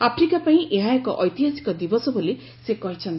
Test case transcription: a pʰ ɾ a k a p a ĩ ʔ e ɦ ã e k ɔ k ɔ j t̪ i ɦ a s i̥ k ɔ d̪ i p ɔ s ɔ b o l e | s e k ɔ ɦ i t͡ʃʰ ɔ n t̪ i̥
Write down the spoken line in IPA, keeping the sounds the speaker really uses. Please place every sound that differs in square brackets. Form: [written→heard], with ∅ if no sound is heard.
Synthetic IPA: a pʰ ɾ [a→i] k a p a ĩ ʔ e ɦ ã e k ɔ [k→ʔ] ɔ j t̪ i ɦ a s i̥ k ɔ d̪ i [p→b] ɔ s ɔ b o l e | s e k ɔ ɦ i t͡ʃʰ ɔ n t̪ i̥